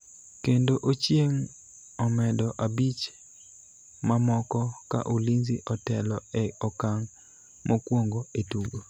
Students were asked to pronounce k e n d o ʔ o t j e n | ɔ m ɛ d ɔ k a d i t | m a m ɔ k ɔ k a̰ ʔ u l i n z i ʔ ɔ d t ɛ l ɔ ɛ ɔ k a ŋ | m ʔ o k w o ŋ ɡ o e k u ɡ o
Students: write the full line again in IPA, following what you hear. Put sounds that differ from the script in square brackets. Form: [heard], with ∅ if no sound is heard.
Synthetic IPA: k e n d o ʔ o [t͡ʃ] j e [ŋ] | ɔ m ɛ d ɔ [ʔ] a [b] i [t͡ʃ] | m a m ɔ k ɔ k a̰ ʔ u l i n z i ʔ ɔ [∅] t ɛ l ɔ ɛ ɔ k a ŋ | m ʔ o k w o ŋ ɡ o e [t] u ɡ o